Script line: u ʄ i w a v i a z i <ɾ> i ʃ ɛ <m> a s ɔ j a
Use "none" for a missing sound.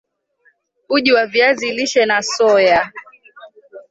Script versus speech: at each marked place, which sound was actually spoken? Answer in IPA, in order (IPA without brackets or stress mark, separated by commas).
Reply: l, n